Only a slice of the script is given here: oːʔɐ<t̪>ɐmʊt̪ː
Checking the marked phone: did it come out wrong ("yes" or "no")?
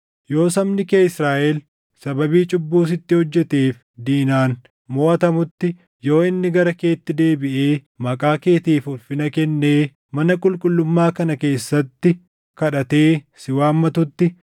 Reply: no